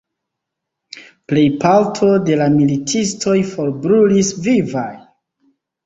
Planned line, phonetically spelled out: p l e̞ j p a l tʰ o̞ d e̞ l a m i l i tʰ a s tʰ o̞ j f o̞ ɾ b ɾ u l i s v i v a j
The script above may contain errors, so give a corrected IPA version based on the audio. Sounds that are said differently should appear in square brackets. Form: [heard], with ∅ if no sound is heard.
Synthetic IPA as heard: p l e̞ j p a l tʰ o̞ d e̞ l a m i l i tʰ [i] s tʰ o̞ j f o̞ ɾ b ɾ u l i s v i v a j